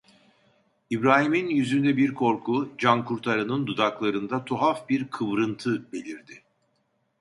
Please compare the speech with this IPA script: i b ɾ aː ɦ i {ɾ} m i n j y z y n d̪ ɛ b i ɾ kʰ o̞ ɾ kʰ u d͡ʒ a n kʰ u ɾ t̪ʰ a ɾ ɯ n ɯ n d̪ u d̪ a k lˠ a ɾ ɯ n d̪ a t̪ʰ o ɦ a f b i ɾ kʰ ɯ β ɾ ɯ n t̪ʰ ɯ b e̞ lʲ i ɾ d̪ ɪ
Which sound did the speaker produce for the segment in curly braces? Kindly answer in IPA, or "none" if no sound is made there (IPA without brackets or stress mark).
none